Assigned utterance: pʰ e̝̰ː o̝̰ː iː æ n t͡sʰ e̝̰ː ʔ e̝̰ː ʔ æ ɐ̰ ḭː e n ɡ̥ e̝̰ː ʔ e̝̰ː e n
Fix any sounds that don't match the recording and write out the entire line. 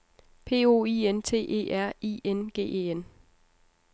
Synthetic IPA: pʰ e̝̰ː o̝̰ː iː e n t͡sʰ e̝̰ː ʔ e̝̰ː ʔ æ ɐ̰ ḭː e n ɡ̥ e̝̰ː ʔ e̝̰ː e n